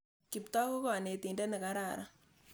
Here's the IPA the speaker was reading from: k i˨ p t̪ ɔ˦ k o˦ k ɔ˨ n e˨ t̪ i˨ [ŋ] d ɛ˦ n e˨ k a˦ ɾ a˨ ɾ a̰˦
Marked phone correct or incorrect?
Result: incorrect